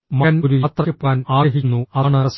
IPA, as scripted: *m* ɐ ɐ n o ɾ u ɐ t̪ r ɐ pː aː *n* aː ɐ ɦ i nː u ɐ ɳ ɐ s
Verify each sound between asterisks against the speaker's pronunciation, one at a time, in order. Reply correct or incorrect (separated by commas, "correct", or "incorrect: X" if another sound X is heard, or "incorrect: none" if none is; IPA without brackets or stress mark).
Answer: correct, correct